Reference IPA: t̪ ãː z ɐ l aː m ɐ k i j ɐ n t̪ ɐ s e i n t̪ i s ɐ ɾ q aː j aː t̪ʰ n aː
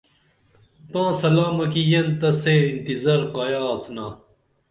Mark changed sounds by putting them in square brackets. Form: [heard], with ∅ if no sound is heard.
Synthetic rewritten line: t̪ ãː [s] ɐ l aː m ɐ k i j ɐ n t̪ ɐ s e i n t̪ i [z] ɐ ɾ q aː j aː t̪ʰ n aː